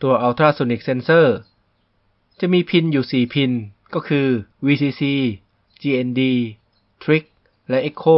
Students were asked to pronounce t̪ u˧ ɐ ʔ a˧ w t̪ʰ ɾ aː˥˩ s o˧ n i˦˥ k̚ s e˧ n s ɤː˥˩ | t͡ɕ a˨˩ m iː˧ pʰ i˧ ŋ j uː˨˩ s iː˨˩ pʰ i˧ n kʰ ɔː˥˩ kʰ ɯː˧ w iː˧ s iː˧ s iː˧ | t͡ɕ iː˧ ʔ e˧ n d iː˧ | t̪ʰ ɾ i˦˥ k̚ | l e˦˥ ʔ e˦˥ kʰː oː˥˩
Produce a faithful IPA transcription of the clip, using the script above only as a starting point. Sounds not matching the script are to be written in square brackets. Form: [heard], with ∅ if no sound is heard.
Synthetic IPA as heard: t̪ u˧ ɐ ʔ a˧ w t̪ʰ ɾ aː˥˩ s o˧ n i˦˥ k̚ s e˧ n s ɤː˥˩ | t͡ɕ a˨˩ m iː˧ pʰ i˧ [n] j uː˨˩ s iː˨˩ pʰ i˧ n [k] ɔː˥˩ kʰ ɯː˧ w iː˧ s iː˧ s iː˧ | t͡ɕ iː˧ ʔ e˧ n d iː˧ | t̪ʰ ɾ i˦˥ k̚ | l [ɛ˦˥] ʔ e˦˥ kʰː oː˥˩